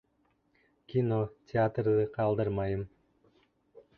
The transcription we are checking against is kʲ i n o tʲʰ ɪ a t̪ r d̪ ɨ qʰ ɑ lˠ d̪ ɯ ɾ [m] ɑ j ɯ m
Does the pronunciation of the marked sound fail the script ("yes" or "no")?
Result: no